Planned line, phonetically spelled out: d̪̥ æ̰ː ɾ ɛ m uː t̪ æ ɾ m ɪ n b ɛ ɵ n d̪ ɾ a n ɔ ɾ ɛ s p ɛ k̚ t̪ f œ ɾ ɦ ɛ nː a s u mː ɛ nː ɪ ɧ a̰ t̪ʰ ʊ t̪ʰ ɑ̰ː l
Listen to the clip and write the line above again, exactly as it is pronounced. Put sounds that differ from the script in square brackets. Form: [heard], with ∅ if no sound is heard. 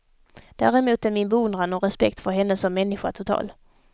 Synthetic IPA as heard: d̪̥ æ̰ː ɾ ɛ m uː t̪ æ ɾ m ɪ n b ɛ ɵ n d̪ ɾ a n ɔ ɾ ɛ s p ɛ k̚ t̪ f œ ɾ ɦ ɛ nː [ə] s [ɔ] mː ɛ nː ɪ ɧ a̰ t̪ʰ ʊ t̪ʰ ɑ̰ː l